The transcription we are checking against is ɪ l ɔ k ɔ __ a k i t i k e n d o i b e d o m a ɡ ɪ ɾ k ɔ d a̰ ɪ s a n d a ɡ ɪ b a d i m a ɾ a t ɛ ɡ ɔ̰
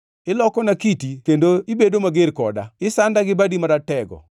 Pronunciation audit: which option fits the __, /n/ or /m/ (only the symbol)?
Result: n